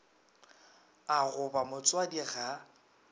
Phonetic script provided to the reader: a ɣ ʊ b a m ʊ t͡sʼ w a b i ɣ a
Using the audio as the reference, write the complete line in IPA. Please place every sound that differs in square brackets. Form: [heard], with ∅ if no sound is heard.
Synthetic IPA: a ɣ ʊ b a m ʊ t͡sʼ w a [d] i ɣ a